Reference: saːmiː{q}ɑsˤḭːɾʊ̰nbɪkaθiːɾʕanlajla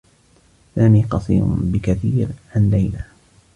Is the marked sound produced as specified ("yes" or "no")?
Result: yes